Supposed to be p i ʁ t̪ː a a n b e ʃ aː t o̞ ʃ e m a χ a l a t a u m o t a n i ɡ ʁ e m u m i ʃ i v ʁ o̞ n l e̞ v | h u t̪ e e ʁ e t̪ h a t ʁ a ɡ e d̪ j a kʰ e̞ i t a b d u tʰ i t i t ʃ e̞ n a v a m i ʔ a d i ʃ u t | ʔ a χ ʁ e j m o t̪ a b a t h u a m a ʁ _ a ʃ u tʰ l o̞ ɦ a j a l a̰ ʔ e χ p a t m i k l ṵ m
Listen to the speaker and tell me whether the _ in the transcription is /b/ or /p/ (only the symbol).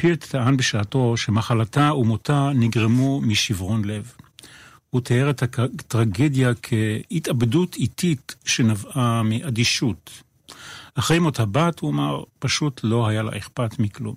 p